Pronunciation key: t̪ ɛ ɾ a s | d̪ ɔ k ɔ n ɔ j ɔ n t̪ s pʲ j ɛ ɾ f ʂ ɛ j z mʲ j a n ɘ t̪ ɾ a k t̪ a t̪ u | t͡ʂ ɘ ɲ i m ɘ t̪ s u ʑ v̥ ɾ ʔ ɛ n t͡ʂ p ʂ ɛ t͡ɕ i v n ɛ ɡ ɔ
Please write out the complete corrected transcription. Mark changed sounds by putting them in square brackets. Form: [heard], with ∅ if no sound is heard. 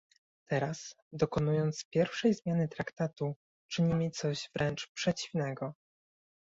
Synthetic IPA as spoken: t̪ ɛ ɾ a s | d̪ ɔ k ɔ n [u] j ɔ n t̪ s pʲ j ɛ ɾ f ʂ ɛ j z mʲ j a n ɘ t̪ ɾ a k t̪ a t̪ u | t͡ʂ ɘ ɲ i m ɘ t̪ s [ɔ] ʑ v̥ ɾ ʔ ɛ n t͡ʂ p ʂ ɛ t͡ɕ i v n ɛ ɡ ɔ